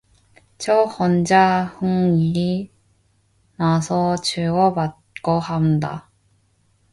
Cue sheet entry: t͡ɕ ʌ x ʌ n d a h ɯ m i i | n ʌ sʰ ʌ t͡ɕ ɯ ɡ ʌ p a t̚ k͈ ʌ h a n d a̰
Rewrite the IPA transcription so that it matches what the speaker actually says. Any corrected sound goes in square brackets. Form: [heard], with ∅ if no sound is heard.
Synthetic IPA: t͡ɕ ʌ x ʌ n [d͡ʑ] a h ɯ [ŋ] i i | n [a] sʰ ʌ t͡ɕ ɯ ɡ ʌ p a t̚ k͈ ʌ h a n d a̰

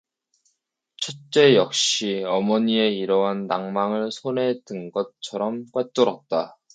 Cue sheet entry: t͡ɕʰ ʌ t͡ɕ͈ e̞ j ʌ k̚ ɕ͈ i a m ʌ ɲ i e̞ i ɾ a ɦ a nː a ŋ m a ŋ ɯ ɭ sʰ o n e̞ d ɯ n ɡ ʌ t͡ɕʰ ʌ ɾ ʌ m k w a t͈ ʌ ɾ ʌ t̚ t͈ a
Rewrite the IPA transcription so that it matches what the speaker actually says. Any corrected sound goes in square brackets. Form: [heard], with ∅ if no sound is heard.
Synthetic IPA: t͡ɕʰ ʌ t͡ɕ͈ e̞ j ʌ k̚ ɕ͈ i [ʌ] m ʌ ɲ i e̞ i ɾ [ʌ] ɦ a nː a ŋ m a ŋ ɯ ɭ sʰ o n e̞ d ɯ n ɡ ʌ t͡ɕʰ ʌ ɾ ʌ m k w a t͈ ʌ ɾ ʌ t̚ t͈ a

